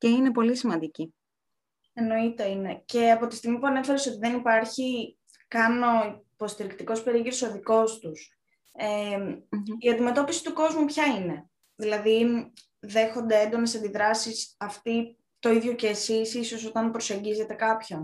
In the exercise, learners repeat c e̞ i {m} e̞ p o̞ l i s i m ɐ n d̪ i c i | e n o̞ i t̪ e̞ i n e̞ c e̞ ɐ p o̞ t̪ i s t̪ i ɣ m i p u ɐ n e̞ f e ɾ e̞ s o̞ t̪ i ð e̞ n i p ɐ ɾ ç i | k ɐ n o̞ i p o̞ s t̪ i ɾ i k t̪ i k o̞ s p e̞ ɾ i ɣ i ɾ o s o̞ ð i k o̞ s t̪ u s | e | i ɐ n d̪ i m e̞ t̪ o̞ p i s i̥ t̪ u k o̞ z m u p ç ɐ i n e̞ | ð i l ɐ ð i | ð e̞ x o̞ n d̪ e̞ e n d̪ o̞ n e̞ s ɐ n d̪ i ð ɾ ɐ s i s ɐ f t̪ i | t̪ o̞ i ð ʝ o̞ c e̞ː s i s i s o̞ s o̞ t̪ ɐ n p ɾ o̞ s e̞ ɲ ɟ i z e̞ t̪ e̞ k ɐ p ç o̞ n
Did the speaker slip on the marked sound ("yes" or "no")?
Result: yes